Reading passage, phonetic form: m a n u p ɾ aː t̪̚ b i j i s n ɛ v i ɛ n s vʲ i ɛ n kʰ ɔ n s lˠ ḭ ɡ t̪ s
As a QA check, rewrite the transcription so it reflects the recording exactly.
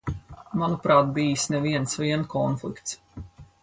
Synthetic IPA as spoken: m a n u p ɾ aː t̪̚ b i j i s n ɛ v i ɛ n s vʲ i ɛ n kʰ ɔ n f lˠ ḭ k t̪ s